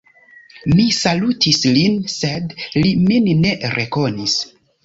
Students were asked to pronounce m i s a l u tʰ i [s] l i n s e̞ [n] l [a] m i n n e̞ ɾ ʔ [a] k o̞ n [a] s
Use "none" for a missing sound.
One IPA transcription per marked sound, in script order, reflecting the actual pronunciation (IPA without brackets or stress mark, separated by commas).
s, d, i, e, i